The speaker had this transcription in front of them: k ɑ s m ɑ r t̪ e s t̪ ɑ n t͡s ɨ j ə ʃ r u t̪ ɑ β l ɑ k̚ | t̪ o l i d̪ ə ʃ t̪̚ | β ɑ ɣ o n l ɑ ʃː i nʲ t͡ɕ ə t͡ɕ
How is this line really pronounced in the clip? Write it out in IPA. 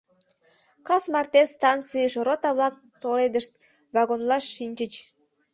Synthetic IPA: k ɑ s m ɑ r t̪ e s t̪ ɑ n t͡s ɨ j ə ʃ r o t̪ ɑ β l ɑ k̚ | t̪ o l e d̪ ə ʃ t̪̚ | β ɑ ɣ o n l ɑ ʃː i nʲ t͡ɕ ə t͡ɕ